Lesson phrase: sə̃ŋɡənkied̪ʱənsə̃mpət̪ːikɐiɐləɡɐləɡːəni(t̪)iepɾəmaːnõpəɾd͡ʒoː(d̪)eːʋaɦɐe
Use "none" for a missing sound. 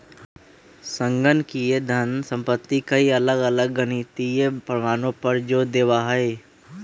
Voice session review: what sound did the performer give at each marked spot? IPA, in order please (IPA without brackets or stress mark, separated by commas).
t̪, d̪